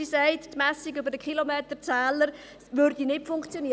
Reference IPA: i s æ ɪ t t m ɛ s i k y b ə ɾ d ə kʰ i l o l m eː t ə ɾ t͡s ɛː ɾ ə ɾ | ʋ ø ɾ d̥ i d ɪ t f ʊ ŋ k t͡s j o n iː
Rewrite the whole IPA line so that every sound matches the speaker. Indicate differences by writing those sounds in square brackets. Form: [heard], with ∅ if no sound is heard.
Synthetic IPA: i s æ ɪ t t m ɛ s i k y b ə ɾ d ə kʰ i l o [∅] m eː t ə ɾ t͡s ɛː [l] ə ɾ | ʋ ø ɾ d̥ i [n] ɪ t f ʊ ŋ k t͡s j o n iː